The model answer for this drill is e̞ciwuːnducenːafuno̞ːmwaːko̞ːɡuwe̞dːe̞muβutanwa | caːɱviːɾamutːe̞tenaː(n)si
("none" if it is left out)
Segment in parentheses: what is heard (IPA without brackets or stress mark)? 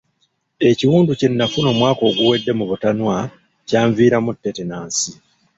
n